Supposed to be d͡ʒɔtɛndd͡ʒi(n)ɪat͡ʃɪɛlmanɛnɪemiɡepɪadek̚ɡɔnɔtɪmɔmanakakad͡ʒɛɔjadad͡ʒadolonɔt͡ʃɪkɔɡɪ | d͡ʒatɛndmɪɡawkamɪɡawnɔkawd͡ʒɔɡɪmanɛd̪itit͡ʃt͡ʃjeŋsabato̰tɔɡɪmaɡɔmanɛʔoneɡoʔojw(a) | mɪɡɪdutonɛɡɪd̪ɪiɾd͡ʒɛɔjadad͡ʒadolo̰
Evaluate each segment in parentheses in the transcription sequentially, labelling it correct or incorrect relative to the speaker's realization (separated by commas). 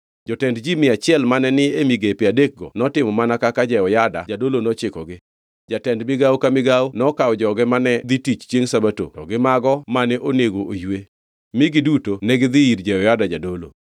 incorrect, incorrect